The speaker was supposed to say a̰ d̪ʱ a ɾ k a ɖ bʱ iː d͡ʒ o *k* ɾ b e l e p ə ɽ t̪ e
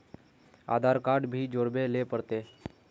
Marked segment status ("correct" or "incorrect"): incorrect